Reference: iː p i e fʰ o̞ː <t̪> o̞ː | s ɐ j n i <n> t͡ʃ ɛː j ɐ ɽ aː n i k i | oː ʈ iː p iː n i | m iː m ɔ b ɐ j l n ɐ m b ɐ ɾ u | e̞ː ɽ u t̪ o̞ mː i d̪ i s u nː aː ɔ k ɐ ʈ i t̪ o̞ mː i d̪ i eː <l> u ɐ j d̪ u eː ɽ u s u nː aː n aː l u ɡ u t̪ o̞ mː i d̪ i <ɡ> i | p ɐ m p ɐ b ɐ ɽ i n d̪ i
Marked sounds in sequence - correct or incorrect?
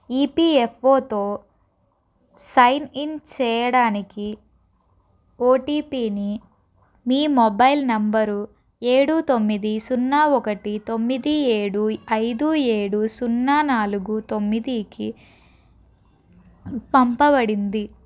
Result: correct, correct, incorrect: ɽ, incorrect: k

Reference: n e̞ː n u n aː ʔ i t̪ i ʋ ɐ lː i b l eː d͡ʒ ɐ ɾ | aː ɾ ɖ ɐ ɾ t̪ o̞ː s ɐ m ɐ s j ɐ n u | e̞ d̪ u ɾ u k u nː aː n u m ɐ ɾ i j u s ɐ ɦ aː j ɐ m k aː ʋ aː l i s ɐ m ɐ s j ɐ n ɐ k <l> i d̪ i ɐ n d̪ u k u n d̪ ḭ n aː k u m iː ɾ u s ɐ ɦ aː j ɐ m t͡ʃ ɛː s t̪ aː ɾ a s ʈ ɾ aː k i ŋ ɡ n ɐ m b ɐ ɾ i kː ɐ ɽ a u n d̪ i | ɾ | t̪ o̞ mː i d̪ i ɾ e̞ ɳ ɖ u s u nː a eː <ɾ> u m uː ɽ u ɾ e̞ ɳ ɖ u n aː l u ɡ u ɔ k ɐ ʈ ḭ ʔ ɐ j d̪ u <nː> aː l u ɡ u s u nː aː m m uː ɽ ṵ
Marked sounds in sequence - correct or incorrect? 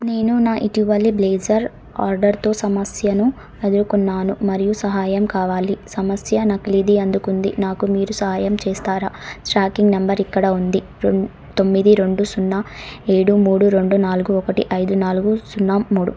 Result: correct, incorrect: ɽ, incorrect: n

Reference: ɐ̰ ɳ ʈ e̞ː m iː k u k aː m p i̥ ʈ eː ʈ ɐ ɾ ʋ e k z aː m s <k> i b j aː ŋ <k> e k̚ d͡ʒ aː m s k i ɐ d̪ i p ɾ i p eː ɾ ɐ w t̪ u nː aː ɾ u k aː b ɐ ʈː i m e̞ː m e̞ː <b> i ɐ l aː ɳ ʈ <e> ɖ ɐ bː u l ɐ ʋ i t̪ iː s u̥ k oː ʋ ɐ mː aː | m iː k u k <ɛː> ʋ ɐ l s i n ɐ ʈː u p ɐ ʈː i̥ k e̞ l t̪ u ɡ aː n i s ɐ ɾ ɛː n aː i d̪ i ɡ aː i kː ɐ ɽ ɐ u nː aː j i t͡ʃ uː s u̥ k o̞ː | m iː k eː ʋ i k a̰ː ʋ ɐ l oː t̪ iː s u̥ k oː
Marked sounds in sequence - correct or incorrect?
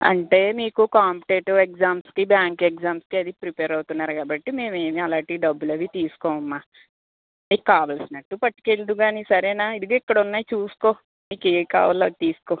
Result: correct, correct, incorrect: m, incorrect: i, incorrect: aː

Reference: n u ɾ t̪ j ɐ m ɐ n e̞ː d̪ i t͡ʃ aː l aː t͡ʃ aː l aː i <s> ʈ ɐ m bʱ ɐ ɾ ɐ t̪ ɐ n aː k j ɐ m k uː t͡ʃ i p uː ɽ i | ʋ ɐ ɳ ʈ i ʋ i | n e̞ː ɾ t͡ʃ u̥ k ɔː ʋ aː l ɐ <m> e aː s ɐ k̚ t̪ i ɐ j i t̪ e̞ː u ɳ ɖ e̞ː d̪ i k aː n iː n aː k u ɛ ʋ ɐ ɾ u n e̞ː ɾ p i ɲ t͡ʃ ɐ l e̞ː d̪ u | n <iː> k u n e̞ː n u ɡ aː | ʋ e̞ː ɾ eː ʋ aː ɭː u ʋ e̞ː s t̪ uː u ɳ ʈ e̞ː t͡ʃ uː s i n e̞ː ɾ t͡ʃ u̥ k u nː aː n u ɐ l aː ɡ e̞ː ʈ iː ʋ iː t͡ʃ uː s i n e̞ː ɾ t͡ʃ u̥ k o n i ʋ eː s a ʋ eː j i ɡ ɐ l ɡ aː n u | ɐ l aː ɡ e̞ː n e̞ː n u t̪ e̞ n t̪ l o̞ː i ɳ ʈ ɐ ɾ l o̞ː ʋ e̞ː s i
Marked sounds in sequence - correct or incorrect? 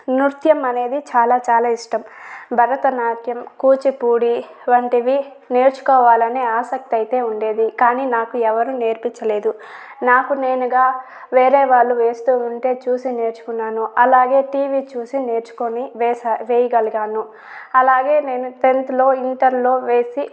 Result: incorrect: ʂ, incorrect: n, incorrect: aː

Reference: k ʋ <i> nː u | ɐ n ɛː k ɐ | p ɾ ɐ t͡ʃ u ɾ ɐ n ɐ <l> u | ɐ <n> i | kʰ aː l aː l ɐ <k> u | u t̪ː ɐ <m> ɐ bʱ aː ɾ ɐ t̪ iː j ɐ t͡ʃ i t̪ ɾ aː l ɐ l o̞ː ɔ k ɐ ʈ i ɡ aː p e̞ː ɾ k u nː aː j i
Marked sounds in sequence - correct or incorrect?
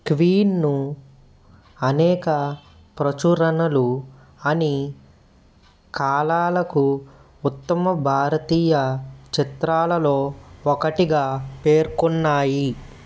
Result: incorrect: iː, correct, correct, correct, correct

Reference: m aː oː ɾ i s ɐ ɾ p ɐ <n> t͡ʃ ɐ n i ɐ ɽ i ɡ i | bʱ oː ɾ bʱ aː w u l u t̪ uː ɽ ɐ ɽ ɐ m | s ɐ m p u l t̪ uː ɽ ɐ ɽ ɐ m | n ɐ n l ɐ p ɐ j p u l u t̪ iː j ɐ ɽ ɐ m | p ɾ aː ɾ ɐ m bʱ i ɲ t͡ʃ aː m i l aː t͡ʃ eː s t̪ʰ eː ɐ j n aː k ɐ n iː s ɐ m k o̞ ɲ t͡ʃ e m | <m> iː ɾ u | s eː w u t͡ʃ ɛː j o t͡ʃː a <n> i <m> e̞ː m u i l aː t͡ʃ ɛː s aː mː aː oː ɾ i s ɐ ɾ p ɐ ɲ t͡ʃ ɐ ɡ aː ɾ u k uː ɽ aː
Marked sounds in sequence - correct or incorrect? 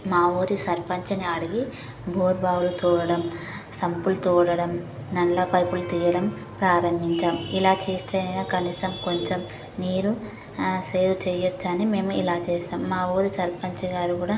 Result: incorrect: ɲ, incorrect: n, correct, correct

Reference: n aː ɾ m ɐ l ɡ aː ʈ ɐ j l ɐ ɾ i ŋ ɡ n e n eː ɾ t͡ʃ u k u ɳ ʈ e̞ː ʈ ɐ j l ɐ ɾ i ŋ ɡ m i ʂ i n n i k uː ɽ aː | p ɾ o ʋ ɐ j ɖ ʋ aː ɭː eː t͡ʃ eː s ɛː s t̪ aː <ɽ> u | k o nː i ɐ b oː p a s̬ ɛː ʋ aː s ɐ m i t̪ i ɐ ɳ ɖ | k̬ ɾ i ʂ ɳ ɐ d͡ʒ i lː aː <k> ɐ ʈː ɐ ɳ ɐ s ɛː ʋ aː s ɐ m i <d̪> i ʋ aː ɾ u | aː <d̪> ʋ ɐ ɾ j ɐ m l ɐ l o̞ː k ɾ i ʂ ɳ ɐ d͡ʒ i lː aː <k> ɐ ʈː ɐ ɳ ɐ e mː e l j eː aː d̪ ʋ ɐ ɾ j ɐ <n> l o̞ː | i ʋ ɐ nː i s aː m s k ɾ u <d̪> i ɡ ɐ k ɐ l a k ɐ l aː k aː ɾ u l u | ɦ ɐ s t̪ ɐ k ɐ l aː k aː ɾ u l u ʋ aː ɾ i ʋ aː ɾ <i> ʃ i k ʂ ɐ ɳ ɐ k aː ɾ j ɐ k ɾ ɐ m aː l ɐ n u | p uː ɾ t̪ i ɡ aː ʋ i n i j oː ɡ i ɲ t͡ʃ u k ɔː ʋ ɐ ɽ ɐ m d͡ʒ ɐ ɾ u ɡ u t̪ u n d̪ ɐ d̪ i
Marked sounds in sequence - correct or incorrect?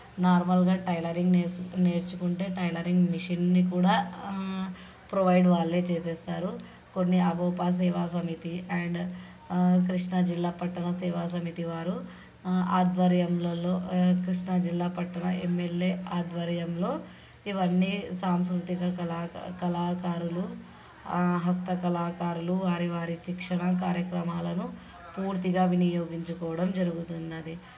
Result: incorrect: ɾ, incorrect: p, incorrect: t̪, correct, incorrect: p, incorrect: m, incorrect: t̪, correct

